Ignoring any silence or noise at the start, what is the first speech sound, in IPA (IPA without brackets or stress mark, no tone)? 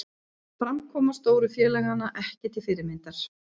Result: f